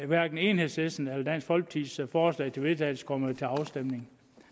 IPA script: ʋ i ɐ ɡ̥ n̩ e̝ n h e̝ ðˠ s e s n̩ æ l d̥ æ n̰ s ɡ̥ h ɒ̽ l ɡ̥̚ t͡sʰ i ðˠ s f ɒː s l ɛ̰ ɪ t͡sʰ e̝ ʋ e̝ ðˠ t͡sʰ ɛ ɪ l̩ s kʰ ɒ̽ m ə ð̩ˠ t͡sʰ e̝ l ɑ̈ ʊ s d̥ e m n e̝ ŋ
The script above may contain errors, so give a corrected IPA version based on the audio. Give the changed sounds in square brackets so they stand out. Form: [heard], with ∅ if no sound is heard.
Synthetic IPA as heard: ʋ [æ] ɐ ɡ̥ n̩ e̝ n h e̝ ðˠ s e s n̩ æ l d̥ æ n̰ s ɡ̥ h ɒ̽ l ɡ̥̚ t͡sʰ i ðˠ s f ɒː s l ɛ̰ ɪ t͡sʰ e̝ ʋ e̝ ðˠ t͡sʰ ɛ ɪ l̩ s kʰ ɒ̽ m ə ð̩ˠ t͡sʰ e̝ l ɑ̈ ʊ s d̥ e m n e̝ ŋ